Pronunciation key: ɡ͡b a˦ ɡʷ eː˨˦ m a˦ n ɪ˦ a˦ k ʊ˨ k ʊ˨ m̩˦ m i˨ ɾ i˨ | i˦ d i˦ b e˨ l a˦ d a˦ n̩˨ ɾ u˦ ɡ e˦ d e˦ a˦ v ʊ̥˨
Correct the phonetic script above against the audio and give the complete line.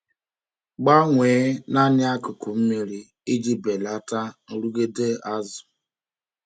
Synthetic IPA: ɡ͡b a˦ ŋʷ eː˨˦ n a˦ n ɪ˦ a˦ k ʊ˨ k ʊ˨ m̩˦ m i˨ ɾ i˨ | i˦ d͡ʒ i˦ b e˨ l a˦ t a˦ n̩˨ ɾ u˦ ɡ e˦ d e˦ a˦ z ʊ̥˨

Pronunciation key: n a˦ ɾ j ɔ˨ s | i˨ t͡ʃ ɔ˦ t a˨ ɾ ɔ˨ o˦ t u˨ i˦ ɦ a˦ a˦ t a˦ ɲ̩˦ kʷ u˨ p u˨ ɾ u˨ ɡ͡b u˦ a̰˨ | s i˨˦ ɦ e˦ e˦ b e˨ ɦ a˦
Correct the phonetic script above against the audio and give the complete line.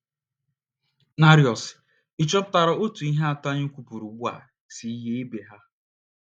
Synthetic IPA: n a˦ ɾ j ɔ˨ s | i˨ t͡ʃ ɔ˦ t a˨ ɾ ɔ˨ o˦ t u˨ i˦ ɦ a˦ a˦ t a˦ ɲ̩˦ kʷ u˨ p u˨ ɾ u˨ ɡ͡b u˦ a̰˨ | s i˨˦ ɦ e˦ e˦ b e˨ ɦ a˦

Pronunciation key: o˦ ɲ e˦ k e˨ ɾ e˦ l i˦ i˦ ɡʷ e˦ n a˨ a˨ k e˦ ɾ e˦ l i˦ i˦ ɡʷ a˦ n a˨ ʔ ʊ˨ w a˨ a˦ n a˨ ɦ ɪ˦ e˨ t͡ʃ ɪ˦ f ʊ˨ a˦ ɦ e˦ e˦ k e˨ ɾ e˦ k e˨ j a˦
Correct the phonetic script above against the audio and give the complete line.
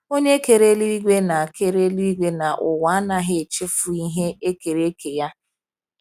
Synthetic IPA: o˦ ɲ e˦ k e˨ ɾ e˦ l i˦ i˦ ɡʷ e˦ n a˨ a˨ k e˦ ɾ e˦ l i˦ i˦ ɡʷ e˦ n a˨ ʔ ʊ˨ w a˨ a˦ n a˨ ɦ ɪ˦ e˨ t͡ʃ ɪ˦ f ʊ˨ i˦ ɦ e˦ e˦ k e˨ ɾ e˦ k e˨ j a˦

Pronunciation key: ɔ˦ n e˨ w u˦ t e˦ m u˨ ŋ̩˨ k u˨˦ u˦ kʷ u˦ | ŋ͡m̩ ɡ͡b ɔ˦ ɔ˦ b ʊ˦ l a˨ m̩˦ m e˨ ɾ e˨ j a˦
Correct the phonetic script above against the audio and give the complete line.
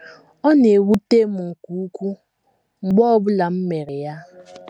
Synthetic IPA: ɔ˦ n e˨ w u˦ t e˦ m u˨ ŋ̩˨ k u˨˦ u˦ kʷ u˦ | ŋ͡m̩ ɡ͡b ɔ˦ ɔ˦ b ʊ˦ l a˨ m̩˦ m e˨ ɾ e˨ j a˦

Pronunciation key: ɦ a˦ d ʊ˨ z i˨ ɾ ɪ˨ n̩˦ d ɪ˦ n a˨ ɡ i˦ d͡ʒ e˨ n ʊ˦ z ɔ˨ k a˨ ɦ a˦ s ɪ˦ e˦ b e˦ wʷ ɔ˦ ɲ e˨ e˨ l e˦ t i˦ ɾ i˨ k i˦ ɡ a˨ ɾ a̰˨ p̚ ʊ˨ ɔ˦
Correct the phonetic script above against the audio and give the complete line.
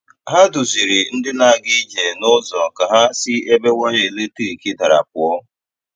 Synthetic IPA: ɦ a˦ d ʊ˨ z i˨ ɾ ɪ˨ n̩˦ d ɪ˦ n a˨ ɡ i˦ d͡ʒ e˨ n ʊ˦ z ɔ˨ k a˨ ɦ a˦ s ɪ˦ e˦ b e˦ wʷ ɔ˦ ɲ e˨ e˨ l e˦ t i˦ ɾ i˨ k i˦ d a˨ ɾ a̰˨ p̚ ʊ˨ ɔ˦

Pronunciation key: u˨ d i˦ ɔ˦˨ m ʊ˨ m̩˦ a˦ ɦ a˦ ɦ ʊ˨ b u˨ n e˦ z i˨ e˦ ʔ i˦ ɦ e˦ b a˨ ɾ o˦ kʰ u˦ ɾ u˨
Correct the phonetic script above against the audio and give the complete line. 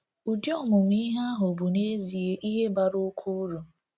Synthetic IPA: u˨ d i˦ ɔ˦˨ m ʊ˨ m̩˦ i˦ ɦ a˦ ɦ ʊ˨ b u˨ n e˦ z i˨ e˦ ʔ i˦ ɦ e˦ b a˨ ɾ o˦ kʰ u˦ ɾ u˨

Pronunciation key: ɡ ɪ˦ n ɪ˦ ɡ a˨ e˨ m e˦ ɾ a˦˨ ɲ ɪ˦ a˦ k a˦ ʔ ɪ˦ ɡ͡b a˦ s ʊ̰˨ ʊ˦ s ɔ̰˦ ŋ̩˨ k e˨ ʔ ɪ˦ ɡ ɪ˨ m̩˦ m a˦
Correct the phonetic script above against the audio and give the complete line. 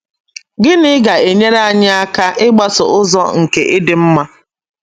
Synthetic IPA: ɡ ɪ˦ n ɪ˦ ɡ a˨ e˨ ɲ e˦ ɾ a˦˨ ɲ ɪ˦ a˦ k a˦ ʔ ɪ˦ ɡ͡b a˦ s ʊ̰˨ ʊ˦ z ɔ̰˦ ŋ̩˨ k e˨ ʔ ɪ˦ d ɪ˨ m̩˦ m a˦

